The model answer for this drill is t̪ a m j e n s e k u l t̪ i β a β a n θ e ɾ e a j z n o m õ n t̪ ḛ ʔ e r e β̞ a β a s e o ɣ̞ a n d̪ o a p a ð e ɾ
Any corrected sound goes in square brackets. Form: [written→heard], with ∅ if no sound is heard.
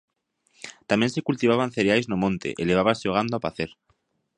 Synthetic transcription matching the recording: t̪ a m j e n s e k u l t̪ i β a β a n θ e ɾ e a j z n o m õ n t̪ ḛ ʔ e [r→l] e β̞ a β a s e o ɣ̞ a n d̪ o a p a [ð→θ] e ɾ